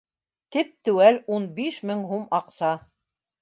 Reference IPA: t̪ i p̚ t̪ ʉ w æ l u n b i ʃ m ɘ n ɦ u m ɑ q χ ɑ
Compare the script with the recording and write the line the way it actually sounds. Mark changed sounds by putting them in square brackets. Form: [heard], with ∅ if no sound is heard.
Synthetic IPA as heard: t̪ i p̚ t̪ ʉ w æ l u n b i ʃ m ɘ [ŋ] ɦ u m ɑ q [s] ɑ